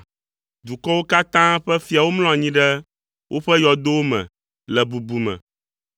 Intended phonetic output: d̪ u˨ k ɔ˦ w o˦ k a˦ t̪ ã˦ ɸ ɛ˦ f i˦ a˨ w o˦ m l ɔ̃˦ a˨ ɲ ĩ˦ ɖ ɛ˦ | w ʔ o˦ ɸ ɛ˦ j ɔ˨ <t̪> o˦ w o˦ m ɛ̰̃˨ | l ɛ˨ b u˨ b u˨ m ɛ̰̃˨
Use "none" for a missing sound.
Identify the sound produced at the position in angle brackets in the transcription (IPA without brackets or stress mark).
d̪